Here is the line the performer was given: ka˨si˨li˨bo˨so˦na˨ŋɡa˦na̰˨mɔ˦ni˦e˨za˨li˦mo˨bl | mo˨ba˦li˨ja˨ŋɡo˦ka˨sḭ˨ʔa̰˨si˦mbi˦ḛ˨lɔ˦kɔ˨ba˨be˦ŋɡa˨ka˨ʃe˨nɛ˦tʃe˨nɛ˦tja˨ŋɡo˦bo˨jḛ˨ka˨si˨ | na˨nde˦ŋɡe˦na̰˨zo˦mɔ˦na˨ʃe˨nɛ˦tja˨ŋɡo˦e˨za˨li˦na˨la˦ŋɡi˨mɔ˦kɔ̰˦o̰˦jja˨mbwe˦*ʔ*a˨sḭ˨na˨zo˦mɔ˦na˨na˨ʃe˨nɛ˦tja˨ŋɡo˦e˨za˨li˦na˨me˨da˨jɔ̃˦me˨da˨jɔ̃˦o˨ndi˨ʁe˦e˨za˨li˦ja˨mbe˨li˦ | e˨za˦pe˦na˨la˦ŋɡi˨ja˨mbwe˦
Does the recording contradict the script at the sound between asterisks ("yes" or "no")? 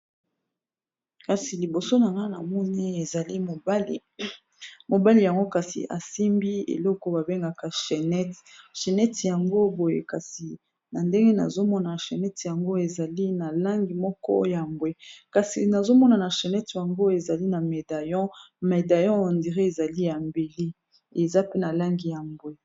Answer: yes